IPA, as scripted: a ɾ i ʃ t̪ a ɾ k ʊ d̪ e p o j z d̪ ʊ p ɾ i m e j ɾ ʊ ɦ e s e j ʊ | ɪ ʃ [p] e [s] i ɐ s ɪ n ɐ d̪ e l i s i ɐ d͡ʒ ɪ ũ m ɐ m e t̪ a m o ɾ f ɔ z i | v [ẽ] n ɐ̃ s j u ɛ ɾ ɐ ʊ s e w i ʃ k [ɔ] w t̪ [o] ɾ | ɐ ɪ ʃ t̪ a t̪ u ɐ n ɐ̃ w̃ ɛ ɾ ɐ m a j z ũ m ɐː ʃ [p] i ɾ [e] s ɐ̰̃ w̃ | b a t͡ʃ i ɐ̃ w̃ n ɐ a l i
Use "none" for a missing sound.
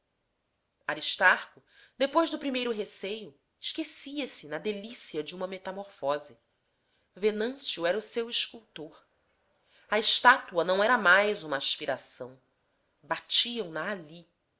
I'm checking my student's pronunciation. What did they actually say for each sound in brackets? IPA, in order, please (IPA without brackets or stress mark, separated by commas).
k, s, e, u, o, p, a